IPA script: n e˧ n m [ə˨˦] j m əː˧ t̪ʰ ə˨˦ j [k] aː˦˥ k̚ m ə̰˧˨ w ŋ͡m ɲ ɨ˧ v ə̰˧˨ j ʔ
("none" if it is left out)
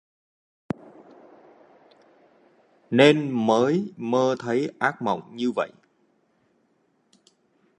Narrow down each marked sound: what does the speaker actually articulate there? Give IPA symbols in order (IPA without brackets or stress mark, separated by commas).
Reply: əː˨˦, ʔ